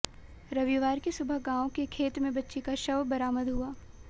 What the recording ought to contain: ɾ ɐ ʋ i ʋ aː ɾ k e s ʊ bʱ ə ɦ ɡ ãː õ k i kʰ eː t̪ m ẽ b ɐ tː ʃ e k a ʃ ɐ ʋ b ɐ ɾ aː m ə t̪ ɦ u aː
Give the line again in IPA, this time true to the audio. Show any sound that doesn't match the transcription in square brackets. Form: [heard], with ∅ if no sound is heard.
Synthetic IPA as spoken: ɾ ɐ ʋ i ʋ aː ɾ k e s ʊ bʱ ə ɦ ɡ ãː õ k [e] kʰ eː t̪ m ẽ b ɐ tː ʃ e k a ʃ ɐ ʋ b ɐ ɾ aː m ə [d̪] ɦ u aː

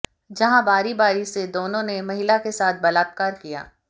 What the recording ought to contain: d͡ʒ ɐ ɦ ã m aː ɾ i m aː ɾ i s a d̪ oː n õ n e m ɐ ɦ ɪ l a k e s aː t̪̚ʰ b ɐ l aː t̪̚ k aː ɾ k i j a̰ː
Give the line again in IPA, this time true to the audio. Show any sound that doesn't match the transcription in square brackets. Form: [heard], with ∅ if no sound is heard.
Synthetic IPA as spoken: d͡ʒ ɐ ɦ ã [b] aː ɾ i [b] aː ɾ i s [e] d̪ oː n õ n e m ɐ ɦ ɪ l a k e s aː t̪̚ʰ b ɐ l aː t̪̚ k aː ɾ k i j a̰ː

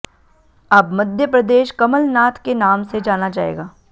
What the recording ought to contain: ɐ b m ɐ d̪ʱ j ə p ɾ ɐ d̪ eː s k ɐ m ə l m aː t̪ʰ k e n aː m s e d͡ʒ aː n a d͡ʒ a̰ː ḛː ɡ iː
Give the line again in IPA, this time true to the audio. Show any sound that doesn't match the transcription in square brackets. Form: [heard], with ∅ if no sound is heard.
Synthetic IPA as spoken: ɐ b m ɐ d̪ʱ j ə p ɾ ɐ d̪ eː [ʃ] k ɐ m ə l [n] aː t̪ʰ k e n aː m s e d͡ʒ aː n a d͡ʒ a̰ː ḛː ɡ [aː]

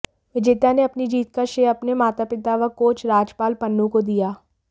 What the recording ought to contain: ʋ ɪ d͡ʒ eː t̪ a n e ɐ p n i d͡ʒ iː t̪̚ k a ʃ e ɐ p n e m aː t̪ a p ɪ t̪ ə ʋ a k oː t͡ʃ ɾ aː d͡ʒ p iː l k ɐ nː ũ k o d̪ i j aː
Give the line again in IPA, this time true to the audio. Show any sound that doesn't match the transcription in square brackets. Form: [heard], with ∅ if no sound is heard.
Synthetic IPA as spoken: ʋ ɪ d͡ʒ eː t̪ a n e ɐ p n i d͡ʒ iː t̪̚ k a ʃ e ɐ p n e m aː t̪ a p ɪ t̪ [a] ʋ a k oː t͡ʃ ɾ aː d͡ʒ p [aː] l [p] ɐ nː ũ k o d̪ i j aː

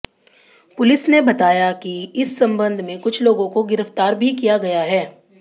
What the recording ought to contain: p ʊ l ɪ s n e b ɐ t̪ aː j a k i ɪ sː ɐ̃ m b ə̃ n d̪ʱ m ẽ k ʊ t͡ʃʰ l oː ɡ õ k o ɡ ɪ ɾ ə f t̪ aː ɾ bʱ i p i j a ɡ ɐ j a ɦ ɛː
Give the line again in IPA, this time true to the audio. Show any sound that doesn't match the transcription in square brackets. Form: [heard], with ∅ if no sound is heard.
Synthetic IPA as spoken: p ʊ l ɪ s n e b ɐ t̪ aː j a k i ɪ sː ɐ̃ m b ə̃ n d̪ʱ m ẽ k ʊ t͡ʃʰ l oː ɡ õ k o ɡ ɪ ɾ ə f t̪ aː ɾ bʱ i [k] i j a ɡ ɐ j a ɦ ɛː

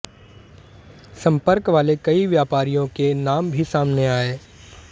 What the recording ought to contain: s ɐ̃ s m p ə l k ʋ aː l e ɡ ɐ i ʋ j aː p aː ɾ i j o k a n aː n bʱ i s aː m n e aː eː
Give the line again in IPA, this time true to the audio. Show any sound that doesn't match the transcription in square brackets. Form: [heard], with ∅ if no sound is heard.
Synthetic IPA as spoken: s ɐ̃ [∅] m p ə [ɾ] k ʋ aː l e [k] ɐ i ʋ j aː p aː ɾ i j [õ] k [e] n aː [m] bʱ i s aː m n e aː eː

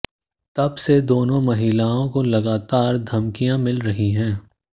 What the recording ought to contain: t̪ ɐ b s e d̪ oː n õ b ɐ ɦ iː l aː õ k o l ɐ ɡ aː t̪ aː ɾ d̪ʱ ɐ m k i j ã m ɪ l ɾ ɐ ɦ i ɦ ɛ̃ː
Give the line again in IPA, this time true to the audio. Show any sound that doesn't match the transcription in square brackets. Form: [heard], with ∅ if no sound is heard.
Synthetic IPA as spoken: t̪ ɐ b s e d̪ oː n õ [m] ɐ ɦ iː l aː õ k o l ɐ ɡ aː t̪ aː ɾ d̪ʱ ɐ m k i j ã m ɪ l ɾ ɐ ɦ i ɦ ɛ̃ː

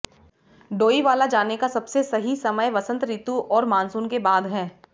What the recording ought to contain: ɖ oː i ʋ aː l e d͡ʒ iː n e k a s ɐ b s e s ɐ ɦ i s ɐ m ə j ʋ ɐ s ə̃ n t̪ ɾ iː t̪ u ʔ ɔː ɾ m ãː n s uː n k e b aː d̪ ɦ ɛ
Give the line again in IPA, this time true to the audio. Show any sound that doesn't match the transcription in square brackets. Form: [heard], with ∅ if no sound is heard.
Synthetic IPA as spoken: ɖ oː i ʋ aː l [a] d͡ʒ [aː] n e k a s ɐ b s e s ɐ ɦ i s ɐ m ə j ʋ ɐ s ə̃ n t̪ ɾ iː t̪ u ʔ ɔː ɾ m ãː n s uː n k e b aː d̪ ɦ [ɛː]

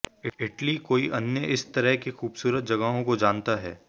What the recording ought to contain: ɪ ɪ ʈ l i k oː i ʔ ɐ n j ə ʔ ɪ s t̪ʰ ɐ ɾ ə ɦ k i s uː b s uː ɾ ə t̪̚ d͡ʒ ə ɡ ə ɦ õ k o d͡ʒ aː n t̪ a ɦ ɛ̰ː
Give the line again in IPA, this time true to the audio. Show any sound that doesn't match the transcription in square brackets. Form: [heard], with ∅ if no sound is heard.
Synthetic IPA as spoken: ɪ ɪ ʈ l i k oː i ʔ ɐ n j ə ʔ ɪ s [t̪] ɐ ɾ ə ɦ k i [x] uː b s uː ɾ ə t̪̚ d͡ʒ [ɐ] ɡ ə ɦ õ k o d͡ʒ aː n t̪ a ɦ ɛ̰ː

